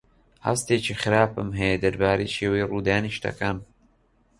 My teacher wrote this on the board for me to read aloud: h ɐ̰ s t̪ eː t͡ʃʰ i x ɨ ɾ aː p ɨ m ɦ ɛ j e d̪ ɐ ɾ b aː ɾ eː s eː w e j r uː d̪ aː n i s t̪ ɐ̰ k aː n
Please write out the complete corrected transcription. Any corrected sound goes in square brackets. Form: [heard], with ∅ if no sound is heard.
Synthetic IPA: h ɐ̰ s t̪ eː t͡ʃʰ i x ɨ ɾ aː p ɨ m ɦ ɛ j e d̪ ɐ ɾ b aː ɾ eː [ʃ] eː w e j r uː d̪ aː n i [ʃ] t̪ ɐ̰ k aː n